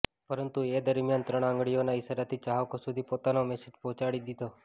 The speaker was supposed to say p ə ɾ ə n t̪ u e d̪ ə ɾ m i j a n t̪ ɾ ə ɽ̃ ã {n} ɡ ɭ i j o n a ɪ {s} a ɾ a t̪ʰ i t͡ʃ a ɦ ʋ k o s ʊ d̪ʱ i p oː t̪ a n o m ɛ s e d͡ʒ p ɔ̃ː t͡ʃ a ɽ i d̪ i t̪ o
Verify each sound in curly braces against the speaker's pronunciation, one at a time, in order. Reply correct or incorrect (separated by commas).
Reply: incorrect, correct